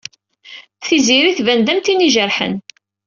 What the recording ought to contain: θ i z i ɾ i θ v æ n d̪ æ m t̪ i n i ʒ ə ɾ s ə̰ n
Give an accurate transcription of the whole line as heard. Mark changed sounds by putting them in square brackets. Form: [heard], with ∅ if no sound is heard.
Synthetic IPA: θ i z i ɾ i θ v æ n d̪ æ m t̪ i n i ʒ ə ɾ [ħ] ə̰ n